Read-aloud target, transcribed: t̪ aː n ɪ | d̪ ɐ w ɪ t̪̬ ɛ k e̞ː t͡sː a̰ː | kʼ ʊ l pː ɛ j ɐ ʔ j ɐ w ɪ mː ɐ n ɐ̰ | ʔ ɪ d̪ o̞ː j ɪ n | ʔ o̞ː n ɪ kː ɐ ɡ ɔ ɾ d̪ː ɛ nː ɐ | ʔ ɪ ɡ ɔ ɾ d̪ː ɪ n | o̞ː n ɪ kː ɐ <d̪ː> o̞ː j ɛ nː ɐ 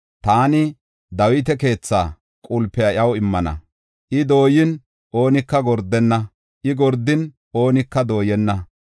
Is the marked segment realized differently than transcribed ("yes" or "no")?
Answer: yes